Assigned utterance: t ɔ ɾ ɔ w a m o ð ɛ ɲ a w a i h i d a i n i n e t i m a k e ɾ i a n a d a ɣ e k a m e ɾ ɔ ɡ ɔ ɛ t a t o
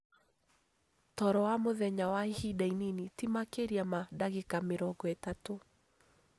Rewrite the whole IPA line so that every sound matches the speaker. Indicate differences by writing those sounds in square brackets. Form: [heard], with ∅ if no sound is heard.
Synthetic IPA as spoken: t ɔ ɾ ɔ w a m o ð ɛ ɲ a w a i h i d a i n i n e t i m a k e ɾ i a [m] a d a ɣ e k a m e ɾ ɔ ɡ ɔ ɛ t a t o